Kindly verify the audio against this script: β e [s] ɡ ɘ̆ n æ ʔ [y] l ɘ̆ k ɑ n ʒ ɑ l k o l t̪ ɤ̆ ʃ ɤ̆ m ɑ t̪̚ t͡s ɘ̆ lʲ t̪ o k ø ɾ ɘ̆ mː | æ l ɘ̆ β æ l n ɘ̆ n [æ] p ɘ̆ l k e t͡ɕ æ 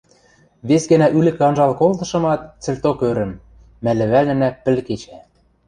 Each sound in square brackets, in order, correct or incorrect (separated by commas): correct, correct, correct